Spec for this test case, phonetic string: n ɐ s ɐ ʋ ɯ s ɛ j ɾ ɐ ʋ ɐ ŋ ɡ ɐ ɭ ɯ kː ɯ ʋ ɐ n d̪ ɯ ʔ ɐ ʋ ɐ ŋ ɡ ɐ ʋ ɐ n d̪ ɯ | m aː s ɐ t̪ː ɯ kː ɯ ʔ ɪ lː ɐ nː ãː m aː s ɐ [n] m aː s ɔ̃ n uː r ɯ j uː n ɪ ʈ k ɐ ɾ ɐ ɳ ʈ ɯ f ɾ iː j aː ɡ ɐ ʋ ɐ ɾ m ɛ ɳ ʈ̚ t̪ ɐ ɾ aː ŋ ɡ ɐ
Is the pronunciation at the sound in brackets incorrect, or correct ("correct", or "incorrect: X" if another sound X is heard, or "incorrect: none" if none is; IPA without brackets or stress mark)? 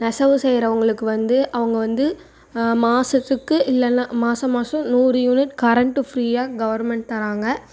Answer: incorrect: none